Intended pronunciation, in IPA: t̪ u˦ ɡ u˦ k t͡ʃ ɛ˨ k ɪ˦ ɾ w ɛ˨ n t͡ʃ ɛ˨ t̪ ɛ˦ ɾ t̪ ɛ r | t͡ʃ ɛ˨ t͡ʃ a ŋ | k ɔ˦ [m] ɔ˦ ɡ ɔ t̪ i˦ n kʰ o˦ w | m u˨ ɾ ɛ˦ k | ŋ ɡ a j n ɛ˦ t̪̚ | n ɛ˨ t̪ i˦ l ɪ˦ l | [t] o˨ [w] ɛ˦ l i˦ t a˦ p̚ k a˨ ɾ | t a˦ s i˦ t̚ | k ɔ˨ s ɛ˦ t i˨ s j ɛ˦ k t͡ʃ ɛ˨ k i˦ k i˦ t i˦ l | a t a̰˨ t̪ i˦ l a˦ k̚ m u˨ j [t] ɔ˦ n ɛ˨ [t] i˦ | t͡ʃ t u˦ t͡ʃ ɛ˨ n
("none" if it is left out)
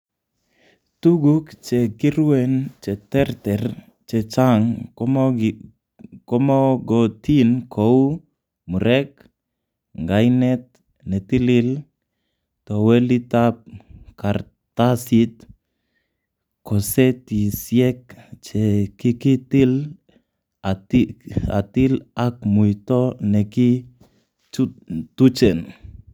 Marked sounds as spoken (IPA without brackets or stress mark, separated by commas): m, t, w, t, k